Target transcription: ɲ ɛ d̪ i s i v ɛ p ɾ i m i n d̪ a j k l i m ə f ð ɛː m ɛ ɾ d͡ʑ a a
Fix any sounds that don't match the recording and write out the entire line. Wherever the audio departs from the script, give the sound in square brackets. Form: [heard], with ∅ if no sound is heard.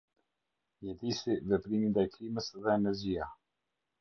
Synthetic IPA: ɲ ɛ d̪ i s i v ɛ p ɾ i m i n d̪ a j k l i m ə [s] ð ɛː [n] ɛ ɾ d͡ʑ [i] a